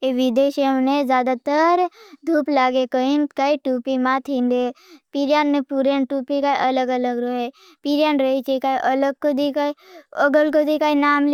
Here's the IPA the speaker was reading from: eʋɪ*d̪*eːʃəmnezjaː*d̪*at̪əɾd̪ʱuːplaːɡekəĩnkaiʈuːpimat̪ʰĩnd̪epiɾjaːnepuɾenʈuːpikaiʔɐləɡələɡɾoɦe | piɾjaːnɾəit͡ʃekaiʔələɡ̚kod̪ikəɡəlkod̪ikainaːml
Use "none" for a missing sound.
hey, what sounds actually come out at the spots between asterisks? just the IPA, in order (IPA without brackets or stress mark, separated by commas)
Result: d̪, d̪